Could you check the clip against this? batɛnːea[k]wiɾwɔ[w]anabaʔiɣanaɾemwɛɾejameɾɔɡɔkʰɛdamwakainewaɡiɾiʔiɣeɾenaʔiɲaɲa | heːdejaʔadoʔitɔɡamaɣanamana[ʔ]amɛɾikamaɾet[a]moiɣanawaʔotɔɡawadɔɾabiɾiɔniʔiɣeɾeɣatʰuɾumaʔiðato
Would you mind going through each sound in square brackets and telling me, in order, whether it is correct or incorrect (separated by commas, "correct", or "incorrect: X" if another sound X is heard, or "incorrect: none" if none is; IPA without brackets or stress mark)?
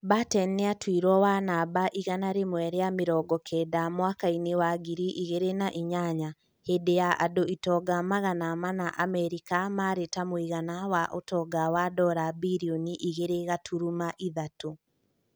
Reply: incorrect: t, correct, correct, correct